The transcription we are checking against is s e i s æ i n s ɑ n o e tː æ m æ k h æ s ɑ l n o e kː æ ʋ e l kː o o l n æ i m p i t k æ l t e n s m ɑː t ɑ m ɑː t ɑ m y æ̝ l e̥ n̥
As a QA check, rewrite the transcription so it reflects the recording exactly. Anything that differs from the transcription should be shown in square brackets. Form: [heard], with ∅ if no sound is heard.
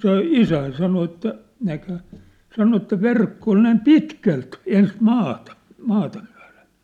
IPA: s e i s æ i n s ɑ n o e tː æ [n] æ k h æ s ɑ [∅] n o e [tː] æ ʋ e [r] kː o o l n æ i m p i t k æ l t e n s m ɑː t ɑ m ɑː t ɑ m y æ̝ l e̥ n̥

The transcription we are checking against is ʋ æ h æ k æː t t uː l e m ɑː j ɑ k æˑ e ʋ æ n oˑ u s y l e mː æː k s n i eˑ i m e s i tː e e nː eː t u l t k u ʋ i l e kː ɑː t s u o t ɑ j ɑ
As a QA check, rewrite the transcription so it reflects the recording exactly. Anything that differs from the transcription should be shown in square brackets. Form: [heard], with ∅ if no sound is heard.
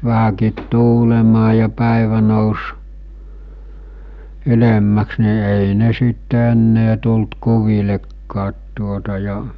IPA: ʋ æ h æ k [iː] t t uː l e m ɑː j ɑ [p] æˑ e ʋ æ n oˑ u s y l e mː [æ] k s n i eˑ i [n] e s i tː e e nː eː t u l t k u ʋ i l e kː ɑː t [t] u o t ɑ j ɑ

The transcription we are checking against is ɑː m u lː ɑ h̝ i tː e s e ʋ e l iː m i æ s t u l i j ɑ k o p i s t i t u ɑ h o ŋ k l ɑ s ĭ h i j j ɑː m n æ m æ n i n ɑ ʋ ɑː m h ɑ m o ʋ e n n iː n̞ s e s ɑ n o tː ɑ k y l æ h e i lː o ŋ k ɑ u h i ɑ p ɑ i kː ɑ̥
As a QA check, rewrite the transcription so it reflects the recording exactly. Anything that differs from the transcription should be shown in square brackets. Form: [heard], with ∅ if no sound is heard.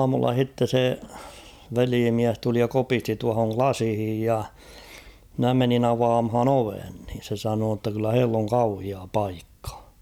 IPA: ɑː m u lː ɑ h̝ i tː e s e ʋ e l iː m i æ s t u l i j ɑ k o p i s t i t u ɑ h o ŋ k l ɑ s ĭ h i j j [ɑ] m n æ m [e] n i n ɑ ʋ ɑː m h ɑ [n] o ʋ e n n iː n̞ s e s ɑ n [oː] tː ɑ k y [lː] æ h e i lː o ŋ k ɑ u h i ɑ p ɑ i kː ɑ̥

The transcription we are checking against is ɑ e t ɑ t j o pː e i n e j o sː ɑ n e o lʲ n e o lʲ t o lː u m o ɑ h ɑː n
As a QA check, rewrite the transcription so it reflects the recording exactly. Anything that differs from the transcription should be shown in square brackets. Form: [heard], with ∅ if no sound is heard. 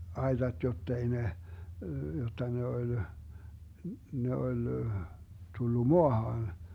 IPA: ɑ e t ɑ t j o [tː] e i n e j o [tː] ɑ n e o lʲ n e o lʲ t [u] lː u m o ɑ h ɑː n

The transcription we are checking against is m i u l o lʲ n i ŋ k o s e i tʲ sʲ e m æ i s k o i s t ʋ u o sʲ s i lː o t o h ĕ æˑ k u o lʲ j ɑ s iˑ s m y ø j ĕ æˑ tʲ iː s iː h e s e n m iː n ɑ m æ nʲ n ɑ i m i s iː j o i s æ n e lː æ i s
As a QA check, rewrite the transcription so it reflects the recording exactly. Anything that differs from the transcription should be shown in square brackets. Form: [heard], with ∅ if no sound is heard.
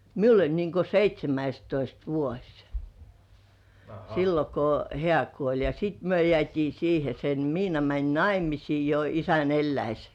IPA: m i u l o lʲ n i ŋ k o s e i tʲ sʲ e m æ i s [t] o i s t ʋ u o sʲ s i lː o [k] o h ĕ æˑ k u o lʲ j ɑ s iˑ [t] m y ø j ĕ æˑ tʲ iː s iː h e s e n m iː n ɑ m æ nʲ n ɑ i m i s iː j o i s æ n e lː æ i s

